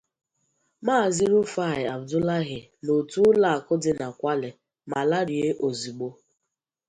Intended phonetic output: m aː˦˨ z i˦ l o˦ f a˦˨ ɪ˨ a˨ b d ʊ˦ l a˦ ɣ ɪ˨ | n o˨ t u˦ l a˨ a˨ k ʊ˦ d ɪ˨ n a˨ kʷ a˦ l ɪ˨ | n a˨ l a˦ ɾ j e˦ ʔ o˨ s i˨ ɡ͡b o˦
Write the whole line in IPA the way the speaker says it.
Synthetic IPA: m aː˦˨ z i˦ ɾ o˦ f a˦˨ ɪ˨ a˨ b d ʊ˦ l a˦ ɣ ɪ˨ | n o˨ t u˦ l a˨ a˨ k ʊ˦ d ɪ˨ n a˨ kʷ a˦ l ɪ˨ | m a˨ l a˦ ɾ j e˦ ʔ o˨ z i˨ ɡ͡b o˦

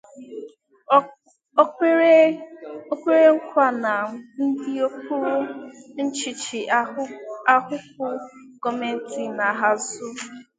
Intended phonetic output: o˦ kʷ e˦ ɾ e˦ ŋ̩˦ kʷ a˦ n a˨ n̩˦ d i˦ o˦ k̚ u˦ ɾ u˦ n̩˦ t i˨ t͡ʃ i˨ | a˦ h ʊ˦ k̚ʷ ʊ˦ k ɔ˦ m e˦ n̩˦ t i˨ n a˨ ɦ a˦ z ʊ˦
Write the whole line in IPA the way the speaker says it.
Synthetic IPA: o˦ kʷ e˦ ɾ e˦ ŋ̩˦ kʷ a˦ n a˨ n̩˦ d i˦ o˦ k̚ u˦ ɾ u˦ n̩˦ t͡ʃ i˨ t͡ʃ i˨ | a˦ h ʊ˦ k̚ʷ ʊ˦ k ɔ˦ m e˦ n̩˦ t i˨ n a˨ ɦ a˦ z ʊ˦

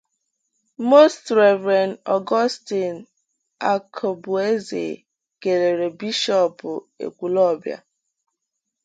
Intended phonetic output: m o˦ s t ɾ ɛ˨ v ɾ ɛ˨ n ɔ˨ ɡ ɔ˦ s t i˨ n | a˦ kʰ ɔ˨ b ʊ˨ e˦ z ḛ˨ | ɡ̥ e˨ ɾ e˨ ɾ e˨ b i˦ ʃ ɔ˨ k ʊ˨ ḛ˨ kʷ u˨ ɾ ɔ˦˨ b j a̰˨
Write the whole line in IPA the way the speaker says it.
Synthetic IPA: m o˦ s t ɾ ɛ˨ v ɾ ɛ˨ n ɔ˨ ɡ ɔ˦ s t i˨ n | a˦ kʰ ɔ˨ b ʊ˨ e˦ z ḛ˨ | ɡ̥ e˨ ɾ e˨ ɾ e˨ b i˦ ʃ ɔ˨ p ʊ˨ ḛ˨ kʷ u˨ l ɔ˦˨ b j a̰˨

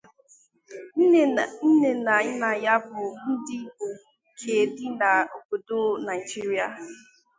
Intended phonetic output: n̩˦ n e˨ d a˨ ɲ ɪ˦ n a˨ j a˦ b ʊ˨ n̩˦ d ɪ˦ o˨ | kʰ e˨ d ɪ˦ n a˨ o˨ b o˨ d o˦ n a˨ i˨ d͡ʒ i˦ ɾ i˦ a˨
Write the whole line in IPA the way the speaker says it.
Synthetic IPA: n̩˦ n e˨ n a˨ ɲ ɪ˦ n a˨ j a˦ b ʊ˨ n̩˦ d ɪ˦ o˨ | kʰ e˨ d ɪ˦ n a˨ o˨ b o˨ d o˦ n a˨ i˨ d͡ʒ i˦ ɾ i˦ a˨

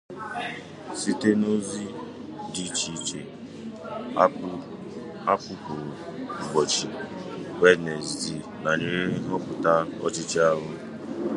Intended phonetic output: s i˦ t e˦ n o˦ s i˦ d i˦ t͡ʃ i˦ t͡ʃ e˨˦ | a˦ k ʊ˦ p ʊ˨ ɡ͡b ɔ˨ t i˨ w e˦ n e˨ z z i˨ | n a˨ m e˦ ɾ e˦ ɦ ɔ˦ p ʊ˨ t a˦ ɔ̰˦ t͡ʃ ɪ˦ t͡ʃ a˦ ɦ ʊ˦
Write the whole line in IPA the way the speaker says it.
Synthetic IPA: s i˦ t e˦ n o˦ z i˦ d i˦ t͡ʃ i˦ t͡ʃ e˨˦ | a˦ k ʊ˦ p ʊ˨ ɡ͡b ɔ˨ t͡ʃ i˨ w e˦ n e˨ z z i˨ | n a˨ ɲ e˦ ɾ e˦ ɦ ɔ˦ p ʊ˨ t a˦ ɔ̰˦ t͡ʃ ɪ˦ t͡ʃ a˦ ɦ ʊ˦

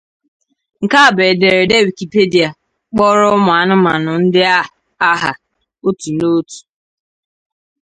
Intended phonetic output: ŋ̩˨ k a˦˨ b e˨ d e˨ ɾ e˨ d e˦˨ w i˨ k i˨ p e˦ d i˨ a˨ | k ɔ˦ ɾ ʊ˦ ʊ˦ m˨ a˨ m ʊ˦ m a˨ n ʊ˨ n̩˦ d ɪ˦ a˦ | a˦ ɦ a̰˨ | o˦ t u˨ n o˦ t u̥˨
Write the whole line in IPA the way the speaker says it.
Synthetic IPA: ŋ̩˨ k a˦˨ b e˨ d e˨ ɾ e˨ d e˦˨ w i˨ k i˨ p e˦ d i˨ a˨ | k͡p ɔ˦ ɾ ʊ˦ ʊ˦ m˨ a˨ n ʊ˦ m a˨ n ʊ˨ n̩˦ d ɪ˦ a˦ | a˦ ɦ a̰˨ | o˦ t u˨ n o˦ t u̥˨

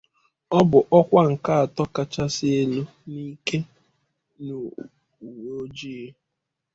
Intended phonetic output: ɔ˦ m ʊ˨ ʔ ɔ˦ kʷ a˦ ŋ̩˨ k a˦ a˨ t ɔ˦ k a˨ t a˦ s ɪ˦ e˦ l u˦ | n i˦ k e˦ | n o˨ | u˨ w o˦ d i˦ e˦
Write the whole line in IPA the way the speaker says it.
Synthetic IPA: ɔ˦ b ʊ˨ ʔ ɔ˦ kʷ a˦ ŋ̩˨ k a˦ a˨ t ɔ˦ k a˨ t͡ʃ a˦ s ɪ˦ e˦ l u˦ | n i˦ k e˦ | n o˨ | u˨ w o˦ d͡ʒ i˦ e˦

